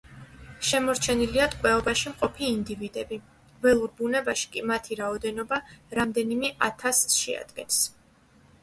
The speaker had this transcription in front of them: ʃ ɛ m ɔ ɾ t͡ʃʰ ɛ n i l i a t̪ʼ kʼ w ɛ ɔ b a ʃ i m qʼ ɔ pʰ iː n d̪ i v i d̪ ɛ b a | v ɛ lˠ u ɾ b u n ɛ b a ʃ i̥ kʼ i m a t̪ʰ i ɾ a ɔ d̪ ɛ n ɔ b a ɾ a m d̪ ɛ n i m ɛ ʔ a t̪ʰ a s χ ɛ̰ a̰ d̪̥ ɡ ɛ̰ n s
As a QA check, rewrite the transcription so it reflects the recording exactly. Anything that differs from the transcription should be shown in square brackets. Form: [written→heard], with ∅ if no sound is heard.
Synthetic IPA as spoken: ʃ ɛ m ɔ ɾ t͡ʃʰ ɛ n i l i a t̪ʼ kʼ w ɛ ɔ b a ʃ i m qʼ ɔ pʰ iː n d̪ i v i d̪ ɛ b [a→i] | v ɛ lˠ u ɾ b u n ɛ b a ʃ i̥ kʼ i m a t̪ʰ i ɾ a ɔ d̪ ɛ n ɔ b a ɾ a m d̪ ɛ n i m ɛ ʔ a t̪ʰ a s [χ→ʃ] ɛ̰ a̰ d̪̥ ɡ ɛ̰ n s